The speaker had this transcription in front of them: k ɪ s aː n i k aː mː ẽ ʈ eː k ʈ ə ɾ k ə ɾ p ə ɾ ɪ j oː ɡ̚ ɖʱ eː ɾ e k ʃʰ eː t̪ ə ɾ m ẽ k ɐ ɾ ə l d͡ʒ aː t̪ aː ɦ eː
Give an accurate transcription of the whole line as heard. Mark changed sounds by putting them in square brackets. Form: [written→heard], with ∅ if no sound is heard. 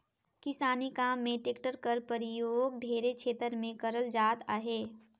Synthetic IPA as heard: k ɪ s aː n i k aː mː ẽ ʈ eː k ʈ ə ɾ k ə ɾ p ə ɾ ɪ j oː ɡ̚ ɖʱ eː ɾ e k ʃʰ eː t̪ ə ɾ m ẽ k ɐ ɾ ə l d͡ʒ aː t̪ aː ɦ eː